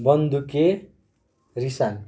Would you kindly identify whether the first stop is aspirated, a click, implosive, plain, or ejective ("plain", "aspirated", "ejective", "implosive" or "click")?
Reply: plain